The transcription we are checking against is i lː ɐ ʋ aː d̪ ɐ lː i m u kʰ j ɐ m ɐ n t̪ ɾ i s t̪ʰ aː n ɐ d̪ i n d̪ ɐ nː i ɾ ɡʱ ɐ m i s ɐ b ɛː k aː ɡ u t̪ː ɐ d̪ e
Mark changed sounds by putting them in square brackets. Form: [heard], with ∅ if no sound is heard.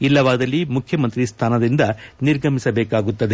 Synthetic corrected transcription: i lː ɐ ʋ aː d̪ ɐ lː i m u kʰ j ɐ m ɐ n t̪ ɾ i s t̪ʰ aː n ɐ d̪ i n d̪ ɐ [n] i ɾ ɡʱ ɐ m i s ɐ b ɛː k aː ɡ u t̪ː ɐ d̪ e